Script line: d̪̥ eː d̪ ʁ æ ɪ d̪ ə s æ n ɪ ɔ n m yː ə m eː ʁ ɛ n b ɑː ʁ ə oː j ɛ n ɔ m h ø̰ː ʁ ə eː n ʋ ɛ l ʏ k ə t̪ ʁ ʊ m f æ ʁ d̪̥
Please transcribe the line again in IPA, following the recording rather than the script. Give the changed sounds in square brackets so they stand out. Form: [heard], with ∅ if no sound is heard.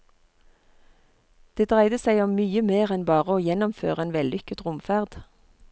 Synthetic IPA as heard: d̪̥ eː d̪ ʁ æ ɪ d̪ ə s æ [∅] ɪ ɔ [m] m yː ə m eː ʁ ɛ n b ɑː ʁ ə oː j ɛ n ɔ m [f] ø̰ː ʁ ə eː n ʋ ɛ l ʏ k ə t̪ ʁ ʊ m f æ ʁ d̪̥